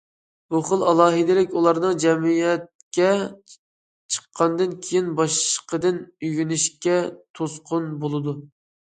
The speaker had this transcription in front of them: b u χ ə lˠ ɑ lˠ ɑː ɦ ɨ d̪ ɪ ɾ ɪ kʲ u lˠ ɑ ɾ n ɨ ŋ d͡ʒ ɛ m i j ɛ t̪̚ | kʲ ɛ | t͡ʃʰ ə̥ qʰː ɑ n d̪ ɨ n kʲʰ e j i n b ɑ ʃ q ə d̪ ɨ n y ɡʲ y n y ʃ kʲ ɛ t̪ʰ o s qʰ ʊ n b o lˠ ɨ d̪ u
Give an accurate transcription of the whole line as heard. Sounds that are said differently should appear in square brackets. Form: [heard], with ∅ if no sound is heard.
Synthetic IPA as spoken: b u χ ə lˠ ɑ lˠ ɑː ɦ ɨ d̪ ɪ [l] ɪ kʲ u lˠ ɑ ɾ n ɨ ŋ d͡ʒ ɛ m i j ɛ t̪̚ | kʲ ɛ | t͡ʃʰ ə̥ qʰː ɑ n d̪ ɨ n kʲʰ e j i n b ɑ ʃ q ə d̪ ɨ n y ɡʲ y n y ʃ kʲ ɛ t̪ʰ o s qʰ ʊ n b o lˠ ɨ d̪ u